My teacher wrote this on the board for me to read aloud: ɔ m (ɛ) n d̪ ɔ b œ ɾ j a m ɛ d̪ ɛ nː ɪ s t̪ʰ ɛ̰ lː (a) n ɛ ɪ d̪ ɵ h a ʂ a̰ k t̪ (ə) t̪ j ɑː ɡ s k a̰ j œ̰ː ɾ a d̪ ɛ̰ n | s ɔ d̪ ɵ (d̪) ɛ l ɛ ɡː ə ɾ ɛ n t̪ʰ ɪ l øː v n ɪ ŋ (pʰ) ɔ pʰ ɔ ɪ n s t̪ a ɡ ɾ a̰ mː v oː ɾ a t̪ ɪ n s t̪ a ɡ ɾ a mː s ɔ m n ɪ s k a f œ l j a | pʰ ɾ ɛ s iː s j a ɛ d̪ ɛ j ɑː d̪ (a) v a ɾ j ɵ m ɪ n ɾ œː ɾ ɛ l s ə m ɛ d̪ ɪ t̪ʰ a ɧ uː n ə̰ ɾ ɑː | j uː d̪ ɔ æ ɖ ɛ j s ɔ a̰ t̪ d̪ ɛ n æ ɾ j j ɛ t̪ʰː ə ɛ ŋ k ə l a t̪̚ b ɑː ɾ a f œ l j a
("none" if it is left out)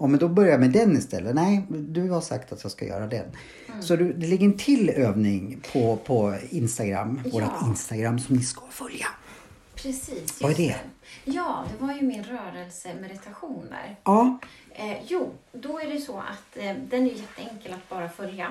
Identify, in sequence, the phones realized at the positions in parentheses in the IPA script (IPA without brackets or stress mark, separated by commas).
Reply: ɛ, ə, a, d̪, pʰ, ɛ